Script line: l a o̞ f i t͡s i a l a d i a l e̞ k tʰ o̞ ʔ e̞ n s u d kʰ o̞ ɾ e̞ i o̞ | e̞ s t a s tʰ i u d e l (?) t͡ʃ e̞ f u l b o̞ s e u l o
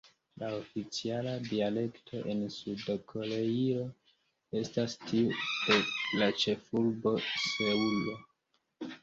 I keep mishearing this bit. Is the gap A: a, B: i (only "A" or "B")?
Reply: A